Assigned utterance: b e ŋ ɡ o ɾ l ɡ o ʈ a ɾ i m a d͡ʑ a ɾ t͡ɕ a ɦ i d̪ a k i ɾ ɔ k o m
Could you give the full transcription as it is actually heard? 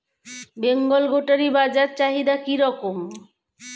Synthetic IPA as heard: b e ŋ ɡ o l ɡ o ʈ a ɾ i b a d͡ʑ a ɾ t͡ɕ a ɦ i d̪ a k i ɾ ɔ k o m